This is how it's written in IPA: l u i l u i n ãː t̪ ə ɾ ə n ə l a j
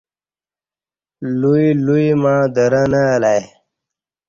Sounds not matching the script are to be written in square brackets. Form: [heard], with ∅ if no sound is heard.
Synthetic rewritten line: l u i l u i [m] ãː [d̪] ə ɾ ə n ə l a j